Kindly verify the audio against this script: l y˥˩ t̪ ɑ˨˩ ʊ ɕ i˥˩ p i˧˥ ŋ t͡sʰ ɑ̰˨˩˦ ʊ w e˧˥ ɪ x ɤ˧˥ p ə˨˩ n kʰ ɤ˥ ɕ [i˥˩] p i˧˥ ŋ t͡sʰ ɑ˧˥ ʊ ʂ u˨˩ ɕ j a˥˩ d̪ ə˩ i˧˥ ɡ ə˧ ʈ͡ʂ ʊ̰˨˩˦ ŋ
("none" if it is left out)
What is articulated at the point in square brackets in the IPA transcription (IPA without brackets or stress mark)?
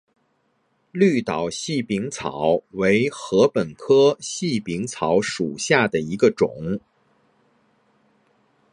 i˥˩